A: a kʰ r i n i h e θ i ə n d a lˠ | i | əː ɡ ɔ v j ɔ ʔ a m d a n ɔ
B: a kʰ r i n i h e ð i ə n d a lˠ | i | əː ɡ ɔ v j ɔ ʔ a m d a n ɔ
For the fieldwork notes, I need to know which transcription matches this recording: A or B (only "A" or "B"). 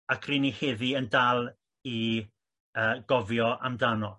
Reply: B